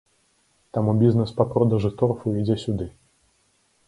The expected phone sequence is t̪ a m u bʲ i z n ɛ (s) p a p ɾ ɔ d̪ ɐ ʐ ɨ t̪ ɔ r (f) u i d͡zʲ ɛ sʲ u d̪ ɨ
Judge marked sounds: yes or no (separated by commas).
yes, yes